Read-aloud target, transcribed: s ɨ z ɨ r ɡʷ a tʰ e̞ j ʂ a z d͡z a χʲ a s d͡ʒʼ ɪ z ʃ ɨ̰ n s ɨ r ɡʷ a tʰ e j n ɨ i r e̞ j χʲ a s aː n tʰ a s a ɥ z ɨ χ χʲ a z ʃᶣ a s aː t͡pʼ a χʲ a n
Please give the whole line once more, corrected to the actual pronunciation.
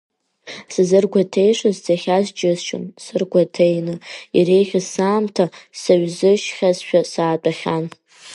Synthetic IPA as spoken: s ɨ z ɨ r ɡʷ a tʰ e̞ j ʂ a z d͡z a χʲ a z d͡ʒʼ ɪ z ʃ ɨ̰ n s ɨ r ɡʷ a tʰ e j n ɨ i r e̞ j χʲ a s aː m tʰ a s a ɥ z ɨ ʃ χʲ a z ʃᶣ a s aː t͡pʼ a χʲ a n